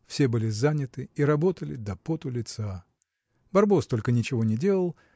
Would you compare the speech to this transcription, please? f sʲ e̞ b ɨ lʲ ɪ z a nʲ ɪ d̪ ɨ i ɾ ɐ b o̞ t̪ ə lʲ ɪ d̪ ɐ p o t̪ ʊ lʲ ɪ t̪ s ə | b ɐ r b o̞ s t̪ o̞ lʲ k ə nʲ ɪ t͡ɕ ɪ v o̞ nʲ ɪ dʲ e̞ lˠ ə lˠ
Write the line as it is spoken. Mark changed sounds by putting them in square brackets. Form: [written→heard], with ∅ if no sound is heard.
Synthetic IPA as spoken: f sʲ e̞ b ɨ lʲ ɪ z a nʲ ɪ [d̪→t̪] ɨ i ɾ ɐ b o̞ t̪ ə lʲ ɪ d̪ ɐ p o t̪ ʊ lʲ ɪ t̪ s [ə→a] | b ɐ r b o̞ s t̪ o̞ lʲ k ə nʲ ɪ t͡ɕ ɪ v o̞ nʲ ɪ dʲ e̞ lˠ ə lˠ